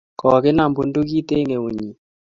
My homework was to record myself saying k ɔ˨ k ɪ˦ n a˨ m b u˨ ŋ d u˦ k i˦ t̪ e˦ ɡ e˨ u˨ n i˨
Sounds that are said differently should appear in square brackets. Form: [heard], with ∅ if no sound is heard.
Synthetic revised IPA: k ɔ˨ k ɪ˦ n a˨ m b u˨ [n] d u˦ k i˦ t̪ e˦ [ŋ] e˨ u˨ [ɲ] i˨